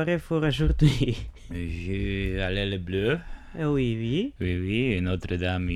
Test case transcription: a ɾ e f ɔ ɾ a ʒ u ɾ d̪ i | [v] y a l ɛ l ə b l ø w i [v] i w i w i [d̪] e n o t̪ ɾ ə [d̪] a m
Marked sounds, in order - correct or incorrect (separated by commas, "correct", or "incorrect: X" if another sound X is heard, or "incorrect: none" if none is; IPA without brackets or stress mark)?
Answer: incorrect: ʒ, incorrect: w, incorrect: none, correct